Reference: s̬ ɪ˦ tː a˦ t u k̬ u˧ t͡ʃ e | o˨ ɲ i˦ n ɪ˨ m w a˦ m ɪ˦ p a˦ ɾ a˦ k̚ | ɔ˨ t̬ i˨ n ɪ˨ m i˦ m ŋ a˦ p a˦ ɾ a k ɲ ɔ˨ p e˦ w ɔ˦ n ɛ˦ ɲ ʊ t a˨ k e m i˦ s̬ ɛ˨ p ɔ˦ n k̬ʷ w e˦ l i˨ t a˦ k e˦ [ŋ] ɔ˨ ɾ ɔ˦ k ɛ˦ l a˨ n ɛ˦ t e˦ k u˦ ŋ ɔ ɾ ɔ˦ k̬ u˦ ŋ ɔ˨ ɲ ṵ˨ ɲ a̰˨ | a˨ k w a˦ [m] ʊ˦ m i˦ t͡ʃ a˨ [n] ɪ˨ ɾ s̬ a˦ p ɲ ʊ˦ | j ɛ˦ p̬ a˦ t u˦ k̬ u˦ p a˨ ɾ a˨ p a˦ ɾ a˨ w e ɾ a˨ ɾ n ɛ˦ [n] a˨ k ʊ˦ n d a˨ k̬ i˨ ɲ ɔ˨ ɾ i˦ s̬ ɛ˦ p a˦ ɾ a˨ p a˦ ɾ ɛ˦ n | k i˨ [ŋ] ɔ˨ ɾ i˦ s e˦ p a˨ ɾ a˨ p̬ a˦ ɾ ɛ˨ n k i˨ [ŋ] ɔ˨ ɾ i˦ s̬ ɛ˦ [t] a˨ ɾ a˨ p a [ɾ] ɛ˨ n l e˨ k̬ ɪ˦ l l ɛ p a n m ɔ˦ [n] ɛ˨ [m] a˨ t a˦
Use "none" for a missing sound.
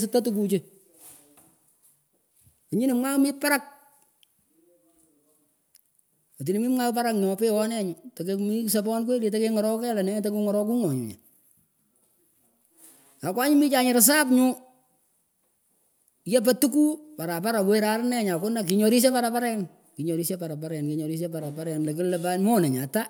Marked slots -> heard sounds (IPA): ŋ, ɲ, ɲ, ɲ, ɲ, ɲ, p, ɾ, n, ɲ

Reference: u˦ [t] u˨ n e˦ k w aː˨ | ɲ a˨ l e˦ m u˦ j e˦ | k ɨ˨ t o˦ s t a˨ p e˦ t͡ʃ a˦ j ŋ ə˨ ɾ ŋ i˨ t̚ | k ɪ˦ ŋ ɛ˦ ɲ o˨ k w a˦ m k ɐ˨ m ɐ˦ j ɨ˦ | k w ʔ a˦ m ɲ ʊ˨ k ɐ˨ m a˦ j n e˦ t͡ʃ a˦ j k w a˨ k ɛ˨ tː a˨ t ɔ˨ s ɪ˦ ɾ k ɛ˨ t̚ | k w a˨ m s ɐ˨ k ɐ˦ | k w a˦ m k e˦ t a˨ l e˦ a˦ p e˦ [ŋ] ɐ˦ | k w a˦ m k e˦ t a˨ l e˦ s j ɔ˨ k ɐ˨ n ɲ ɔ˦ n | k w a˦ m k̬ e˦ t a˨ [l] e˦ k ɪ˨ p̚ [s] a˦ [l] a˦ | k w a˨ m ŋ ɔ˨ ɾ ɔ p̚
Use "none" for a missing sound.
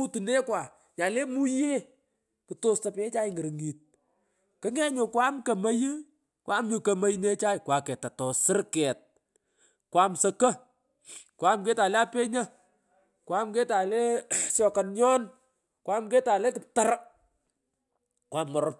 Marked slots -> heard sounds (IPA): t, ɲ, l, t, ɾ

